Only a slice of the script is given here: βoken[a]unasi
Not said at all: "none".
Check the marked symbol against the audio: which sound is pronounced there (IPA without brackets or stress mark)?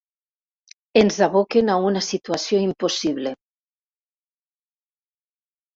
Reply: a